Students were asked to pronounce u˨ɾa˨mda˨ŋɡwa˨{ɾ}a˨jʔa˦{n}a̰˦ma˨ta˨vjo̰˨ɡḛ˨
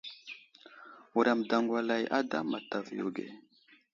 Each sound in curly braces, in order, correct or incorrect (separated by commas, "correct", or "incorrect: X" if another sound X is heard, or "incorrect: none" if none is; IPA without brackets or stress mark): incorrect: l, incorrect: d